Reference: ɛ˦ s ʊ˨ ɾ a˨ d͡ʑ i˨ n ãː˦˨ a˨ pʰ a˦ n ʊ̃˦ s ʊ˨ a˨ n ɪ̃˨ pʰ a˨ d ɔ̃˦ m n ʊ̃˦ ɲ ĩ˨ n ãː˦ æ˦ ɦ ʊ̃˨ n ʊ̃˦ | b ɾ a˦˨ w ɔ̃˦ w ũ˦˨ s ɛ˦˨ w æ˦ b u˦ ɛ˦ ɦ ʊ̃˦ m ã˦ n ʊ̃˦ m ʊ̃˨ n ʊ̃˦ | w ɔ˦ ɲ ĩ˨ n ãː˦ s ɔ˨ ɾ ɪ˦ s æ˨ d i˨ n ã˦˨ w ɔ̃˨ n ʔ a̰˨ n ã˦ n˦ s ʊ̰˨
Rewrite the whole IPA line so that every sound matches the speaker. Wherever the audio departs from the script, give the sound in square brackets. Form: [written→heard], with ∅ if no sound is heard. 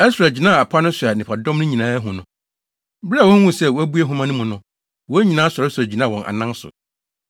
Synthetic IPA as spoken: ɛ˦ s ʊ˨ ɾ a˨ d͡ʑ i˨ n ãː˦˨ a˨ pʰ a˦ n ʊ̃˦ s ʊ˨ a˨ n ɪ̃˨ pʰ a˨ d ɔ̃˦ m n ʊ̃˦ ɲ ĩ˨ n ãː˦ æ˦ ɦ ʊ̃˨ n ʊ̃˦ | b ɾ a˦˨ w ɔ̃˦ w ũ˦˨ s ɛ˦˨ w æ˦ b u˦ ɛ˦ ɦ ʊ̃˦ m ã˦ n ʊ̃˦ m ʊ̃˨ n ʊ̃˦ | w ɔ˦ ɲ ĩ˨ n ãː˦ s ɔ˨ ɾ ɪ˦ s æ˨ [d→d͡ʑ] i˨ n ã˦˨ w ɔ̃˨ n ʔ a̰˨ n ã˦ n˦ s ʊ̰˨